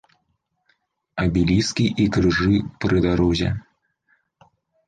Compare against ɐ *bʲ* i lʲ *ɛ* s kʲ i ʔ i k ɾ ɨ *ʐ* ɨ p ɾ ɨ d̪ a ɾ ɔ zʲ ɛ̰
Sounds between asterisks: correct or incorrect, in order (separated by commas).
correct, incorrect, correct